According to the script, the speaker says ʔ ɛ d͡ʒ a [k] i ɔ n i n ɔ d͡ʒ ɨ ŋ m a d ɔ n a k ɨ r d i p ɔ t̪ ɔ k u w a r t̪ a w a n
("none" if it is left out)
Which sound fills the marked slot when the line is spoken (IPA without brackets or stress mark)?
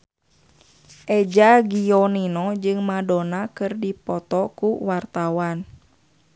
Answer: ɡ